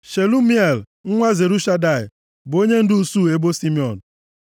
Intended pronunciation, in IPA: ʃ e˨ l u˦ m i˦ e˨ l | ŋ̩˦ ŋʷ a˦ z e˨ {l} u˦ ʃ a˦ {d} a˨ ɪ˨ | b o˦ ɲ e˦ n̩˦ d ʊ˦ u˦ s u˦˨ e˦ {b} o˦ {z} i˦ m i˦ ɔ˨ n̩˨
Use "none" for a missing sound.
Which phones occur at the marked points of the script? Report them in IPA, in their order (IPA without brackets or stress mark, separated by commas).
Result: ɾ, d, b, s